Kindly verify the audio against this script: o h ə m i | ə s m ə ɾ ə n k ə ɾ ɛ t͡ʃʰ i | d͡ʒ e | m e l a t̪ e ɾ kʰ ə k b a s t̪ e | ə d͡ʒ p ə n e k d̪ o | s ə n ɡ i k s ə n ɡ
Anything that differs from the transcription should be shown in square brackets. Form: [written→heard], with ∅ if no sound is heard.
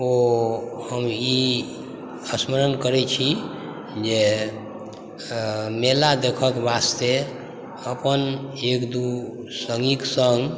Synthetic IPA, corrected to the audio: o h ə m i | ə s m ə ɾ ə n k ə ɾ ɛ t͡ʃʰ i | d͡ʒ e | m e l a [t̪→d̪] e [ɾ→∅] kʰ ə k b a s t̪ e | ə [d͡ʒ→∅] p ə n e k d̪ [o→u] | s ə [n→ŋ] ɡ i k s ə [n→ŋ] ɡ